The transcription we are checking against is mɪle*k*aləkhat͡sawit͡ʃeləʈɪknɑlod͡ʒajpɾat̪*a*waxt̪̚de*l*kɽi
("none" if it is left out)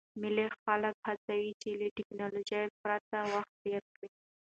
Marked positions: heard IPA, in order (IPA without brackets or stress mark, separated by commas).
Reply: x, a, ɾ